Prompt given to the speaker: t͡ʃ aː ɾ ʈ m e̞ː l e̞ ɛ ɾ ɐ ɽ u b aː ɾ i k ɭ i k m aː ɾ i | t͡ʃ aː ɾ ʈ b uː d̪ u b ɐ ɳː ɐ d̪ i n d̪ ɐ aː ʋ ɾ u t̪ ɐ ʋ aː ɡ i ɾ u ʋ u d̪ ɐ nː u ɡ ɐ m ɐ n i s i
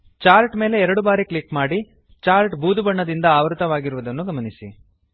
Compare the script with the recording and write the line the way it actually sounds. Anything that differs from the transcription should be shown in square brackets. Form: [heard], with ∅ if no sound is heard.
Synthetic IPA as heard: t͡ʃ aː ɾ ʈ m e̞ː l e̞ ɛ ɾ ɐ ɽ u b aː ɾ i k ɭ i k m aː [ɽ] i | t͡ʃ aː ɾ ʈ b uː d̪ u b ɐ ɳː ɐ d̪ i n d̪ ɐ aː ʋ ɾ u t̪ ɐ ʋ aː ɡ i ɾ u ʋ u d̪ ɐ nː u ɡ ɐ m ɐ n i s i